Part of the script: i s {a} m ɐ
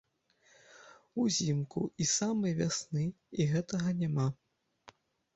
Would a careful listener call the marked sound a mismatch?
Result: no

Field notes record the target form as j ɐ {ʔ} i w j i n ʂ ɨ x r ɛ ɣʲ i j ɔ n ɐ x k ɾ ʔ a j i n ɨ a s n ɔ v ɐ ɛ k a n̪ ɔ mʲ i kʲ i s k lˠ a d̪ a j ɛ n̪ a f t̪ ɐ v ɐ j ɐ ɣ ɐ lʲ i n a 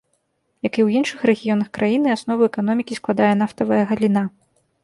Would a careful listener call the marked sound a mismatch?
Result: yes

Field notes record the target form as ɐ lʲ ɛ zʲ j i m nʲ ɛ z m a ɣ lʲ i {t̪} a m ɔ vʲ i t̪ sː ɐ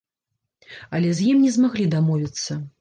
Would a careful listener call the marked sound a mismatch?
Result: yes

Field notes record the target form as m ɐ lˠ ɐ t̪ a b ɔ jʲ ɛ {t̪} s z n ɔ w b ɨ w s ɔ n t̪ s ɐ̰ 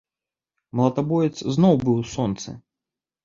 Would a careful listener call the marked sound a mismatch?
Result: no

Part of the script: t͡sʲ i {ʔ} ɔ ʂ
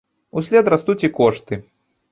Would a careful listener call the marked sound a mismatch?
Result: yes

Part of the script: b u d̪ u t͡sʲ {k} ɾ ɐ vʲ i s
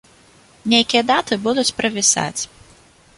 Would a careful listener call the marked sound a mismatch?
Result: yes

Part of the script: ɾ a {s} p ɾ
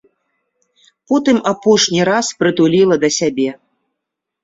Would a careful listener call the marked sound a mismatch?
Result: no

